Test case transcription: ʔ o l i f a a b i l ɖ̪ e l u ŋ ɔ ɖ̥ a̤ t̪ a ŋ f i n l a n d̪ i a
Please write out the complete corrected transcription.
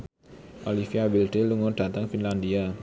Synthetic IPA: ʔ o l i f i a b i l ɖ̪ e l u ŋ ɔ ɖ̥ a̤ t̪ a ŋ f i n l a n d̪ i a